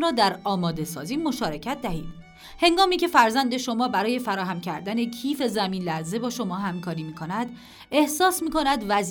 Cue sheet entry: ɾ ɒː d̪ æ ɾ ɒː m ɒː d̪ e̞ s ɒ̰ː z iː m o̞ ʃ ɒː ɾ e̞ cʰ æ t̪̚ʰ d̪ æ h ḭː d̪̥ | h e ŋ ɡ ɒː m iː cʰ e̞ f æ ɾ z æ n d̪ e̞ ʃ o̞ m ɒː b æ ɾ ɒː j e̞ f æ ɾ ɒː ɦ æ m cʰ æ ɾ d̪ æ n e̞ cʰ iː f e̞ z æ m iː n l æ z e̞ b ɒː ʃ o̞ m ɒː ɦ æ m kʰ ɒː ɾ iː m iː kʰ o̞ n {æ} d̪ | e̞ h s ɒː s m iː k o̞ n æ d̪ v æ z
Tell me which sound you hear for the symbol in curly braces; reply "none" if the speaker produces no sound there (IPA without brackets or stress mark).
æ